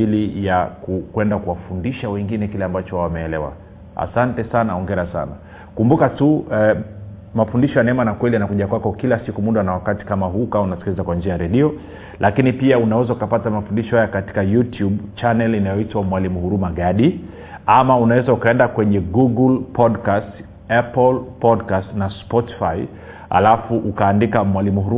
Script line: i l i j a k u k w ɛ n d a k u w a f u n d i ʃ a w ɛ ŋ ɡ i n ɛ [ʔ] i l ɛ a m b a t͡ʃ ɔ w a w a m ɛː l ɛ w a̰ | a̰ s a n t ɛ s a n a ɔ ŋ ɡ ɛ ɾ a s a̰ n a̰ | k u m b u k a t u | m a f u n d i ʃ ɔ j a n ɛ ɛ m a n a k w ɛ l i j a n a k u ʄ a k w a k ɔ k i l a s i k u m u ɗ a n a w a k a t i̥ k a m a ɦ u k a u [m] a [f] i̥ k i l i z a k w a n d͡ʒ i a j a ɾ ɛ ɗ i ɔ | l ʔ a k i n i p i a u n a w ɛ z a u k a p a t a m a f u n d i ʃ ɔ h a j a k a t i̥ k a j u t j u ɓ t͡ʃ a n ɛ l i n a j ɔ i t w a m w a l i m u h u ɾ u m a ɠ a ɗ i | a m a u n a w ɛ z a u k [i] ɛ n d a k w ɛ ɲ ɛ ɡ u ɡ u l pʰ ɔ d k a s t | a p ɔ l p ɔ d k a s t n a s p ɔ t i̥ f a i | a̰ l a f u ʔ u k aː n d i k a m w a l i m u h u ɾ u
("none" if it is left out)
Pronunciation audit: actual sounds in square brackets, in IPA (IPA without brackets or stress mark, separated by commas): k, n, s, a